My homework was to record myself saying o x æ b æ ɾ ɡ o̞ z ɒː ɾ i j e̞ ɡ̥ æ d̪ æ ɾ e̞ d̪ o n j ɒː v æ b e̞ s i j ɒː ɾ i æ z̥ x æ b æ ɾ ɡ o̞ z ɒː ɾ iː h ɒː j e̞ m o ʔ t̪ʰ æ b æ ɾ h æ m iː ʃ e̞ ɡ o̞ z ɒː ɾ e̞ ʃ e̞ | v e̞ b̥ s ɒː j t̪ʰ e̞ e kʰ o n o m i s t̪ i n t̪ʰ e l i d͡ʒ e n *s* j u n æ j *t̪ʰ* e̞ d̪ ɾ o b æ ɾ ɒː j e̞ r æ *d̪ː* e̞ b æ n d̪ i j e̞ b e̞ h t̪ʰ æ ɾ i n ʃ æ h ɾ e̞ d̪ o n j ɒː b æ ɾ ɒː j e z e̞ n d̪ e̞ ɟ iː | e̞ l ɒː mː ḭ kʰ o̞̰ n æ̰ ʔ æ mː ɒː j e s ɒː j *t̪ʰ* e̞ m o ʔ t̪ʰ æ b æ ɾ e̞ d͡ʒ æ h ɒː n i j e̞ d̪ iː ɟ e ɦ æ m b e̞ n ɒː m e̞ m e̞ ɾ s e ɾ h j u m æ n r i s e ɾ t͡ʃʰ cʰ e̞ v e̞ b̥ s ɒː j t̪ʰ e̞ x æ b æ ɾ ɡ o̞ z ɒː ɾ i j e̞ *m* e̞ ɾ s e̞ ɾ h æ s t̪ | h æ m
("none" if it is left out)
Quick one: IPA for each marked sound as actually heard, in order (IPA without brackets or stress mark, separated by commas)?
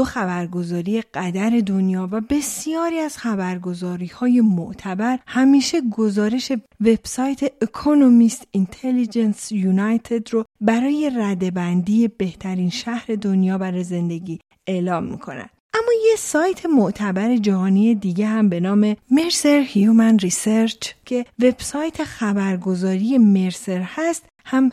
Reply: s, t̪ʰ, d̪, t̪ʰ, m